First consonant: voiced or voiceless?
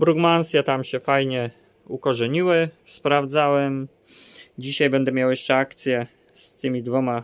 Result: voiced